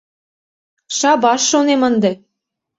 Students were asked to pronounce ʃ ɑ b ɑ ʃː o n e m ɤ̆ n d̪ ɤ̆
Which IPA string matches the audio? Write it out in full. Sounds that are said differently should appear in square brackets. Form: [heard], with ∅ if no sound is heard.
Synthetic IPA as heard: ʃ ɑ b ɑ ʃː o n e m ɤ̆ n d̪ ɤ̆